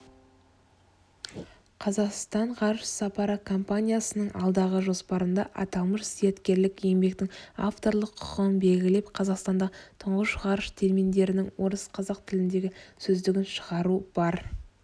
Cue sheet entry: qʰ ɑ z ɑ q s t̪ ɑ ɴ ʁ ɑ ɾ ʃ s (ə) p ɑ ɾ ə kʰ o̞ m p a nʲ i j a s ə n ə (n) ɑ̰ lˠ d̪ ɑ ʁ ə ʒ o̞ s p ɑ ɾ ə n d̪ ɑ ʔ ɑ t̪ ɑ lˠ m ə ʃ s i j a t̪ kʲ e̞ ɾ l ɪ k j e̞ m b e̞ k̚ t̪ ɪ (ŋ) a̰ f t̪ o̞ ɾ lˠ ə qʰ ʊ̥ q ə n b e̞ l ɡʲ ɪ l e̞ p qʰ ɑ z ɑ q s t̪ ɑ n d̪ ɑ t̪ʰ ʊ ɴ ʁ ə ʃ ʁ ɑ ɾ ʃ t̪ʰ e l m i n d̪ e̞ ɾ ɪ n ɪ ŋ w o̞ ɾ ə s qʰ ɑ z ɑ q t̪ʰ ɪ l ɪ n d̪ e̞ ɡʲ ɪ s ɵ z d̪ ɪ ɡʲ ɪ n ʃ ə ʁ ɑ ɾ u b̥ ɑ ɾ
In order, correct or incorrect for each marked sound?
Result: incorrect: ɑ, incorrect: ɴ, correct

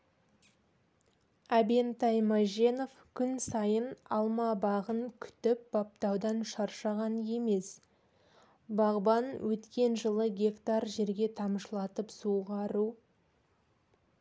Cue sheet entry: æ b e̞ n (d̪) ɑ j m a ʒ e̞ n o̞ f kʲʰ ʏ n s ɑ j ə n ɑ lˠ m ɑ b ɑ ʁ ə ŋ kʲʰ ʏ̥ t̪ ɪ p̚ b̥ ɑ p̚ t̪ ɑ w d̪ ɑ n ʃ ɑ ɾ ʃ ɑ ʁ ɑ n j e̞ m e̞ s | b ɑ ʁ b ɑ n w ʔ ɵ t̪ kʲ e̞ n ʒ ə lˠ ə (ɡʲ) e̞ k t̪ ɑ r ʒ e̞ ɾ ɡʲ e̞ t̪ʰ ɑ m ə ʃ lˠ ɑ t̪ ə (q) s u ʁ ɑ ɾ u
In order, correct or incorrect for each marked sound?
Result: incorrect: t̪, correct, incorrect: p

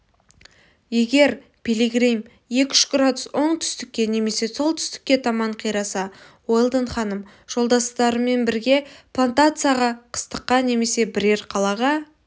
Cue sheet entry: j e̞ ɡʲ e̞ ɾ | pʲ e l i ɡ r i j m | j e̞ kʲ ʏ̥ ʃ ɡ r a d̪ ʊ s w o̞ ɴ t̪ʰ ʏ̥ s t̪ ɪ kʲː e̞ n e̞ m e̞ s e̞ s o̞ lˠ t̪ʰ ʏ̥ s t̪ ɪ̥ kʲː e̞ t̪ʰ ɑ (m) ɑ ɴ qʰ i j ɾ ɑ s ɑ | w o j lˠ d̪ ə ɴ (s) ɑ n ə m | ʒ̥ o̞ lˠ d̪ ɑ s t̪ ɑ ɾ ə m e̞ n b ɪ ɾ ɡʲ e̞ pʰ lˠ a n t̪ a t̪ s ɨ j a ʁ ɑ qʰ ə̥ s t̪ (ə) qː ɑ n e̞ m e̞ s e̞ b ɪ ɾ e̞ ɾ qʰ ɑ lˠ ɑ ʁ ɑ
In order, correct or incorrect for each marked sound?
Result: correct, incorrect: χ, correct

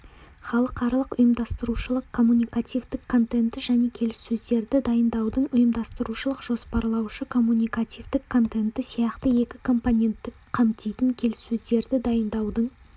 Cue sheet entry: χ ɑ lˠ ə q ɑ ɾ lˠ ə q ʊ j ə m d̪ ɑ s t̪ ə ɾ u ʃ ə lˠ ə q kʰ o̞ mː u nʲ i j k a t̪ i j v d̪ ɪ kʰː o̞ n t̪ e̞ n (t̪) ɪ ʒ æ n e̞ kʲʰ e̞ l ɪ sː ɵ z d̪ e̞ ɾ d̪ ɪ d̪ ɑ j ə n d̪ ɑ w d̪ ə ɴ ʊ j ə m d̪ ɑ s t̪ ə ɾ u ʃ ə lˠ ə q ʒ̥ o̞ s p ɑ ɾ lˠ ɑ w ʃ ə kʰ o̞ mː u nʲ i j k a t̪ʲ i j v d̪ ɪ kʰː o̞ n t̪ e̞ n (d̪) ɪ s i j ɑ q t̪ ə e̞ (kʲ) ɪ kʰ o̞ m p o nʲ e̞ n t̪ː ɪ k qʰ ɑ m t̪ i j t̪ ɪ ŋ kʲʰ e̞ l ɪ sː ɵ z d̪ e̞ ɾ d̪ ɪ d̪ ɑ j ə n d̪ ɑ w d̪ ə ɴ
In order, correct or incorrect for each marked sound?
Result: correct, incorrect: t̪, correct

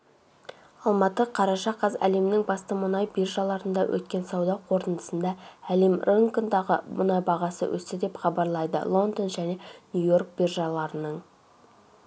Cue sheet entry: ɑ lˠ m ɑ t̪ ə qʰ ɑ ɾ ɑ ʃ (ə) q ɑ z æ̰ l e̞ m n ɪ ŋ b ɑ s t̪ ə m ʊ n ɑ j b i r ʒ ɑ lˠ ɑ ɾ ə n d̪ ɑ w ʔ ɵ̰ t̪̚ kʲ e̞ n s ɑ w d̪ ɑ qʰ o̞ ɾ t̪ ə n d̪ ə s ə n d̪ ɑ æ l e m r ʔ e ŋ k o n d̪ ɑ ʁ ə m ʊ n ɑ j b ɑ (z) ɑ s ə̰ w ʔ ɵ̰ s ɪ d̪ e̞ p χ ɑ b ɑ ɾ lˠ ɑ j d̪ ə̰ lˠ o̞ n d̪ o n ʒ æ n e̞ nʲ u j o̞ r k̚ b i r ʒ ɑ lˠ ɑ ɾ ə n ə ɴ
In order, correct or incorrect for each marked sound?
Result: incorrect: ɑ, incorrect: ʁ

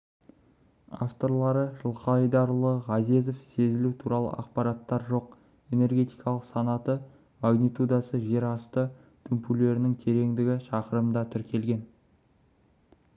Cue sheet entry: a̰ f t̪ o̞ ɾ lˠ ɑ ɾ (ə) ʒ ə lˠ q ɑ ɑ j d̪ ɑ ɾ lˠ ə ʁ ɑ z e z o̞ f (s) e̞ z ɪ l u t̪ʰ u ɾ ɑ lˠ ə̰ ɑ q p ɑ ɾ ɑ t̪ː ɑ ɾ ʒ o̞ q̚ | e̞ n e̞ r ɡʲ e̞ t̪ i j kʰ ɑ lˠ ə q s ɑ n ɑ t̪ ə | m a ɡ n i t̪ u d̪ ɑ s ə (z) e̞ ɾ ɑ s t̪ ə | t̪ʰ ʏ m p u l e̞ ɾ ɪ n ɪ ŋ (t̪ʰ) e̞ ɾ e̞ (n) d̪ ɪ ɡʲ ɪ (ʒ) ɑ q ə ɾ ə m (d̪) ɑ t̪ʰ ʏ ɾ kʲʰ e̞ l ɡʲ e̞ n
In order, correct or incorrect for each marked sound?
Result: correct, correct, incorrect: ʒ, correct, incorrect: ŋ, incorrect: ʃ, correct

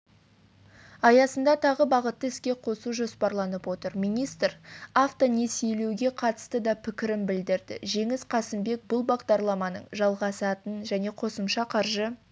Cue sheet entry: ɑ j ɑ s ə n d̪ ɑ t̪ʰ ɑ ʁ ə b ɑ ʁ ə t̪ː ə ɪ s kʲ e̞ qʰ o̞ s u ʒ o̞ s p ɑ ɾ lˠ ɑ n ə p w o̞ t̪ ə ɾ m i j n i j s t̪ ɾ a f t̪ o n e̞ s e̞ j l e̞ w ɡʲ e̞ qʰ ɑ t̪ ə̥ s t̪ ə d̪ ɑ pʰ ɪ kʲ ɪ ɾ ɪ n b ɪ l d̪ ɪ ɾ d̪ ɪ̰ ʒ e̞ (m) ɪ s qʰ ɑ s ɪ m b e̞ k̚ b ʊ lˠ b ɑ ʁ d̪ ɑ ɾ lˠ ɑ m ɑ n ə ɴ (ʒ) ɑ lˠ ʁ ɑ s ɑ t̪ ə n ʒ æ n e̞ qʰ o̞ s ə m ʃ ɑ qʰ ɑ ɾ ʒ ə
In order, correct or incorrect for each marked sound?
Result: incorrect: ŋ, correct

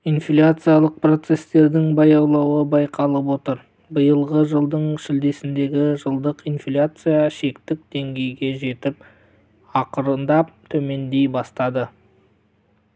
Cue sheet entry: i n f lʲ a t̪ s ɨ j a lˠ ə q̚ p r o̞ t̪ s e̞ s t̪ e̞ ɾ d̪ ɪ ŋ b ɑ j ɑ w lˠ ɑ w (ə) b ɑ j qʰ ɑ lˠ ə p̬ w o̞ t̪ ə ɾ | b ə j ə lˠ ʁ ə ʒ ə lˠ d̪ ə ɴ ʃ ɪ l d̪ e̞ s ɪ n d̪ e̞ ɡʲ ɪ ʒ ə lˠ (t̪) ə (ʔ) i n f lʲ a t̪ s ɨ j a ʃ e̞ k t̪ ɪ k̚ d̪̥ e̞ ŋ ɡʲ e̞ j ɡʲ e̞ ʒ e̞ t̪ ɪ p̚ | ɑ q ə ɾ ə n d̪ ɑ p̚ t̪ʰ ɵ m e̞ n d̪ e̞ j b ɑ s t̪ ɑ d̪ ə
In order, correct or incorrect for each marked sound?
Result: correct, incorrect: d̪, incorrect: q

